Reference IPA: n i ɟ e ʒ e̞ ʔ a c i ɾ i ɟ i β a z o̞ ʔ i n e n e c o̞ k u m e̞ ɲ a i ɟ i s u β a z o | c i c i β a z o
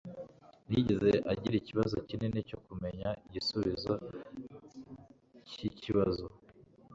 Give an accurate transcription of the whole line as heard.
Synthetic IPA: n i ɟ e z e̞ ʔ a ɟ i ɾ i c i β a z o̞ c i n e n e c o̞ k u m e̞ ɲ a i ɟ i s u β i z o | c i c i β a z o